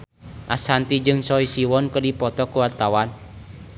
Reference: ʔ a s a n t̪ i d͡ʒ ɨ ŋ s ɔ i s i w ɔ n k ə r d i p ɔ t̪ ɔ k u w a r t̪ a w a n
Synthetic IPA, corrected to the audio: ʔ a s a n t̪ i d͡ʒ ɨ ŋ s ɔ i s i w ɔ n k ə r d i p ɔ t̪ ɔ k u w a r t̪ a w a n